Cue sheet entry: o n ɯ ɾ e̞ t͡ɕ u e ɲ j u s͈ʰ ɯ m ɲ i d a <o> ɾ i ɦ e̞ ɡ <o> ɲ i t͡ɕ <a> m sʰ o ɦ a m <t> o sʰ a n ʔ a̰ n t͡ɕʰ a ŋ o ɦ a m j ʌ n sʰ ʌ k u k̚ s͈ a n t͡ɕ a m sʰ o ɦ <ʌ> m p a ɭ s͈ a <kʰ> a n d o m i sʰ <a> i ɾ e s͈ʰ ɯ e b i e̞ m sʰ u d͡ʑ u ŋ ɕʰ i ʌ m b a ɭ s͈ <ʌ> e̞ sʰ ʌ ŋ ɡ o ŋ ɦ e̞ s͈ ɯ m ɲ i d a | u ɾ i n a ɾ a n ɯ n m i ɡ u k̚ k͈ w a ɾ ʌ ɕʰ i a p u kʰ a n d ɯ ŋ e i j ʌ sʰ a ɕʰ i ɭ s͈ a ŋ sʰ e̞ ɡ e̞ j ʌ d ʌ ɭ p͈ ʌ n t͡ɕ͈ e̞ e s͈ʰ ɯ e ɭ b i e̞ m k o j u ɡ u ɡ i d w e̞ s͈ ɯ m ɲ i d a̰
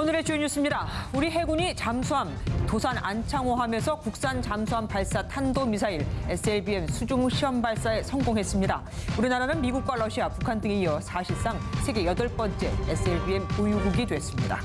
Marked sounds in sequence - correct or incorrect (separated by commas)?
incorrect, incorrect, correct, correct, incorrect, incorrect, correct, incorrect